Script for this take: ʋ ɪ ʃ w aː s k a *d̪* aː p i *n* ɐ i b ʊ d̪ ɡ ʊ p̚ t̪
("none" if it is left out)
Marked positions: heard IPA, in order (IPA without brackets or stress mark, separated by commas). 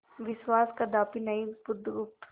d̪, n